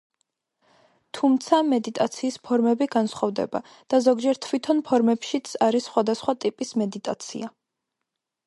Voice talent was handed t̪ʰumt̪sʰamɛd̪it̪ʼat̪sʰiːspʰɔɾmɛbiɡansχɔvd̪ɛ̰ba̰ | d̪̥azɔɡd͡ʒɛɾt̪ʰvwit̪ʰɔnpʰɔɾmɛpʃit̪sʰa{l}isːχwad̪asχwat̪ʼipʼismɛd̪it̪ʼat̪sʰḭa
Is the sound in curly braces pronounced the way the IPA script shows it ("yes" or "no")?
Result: no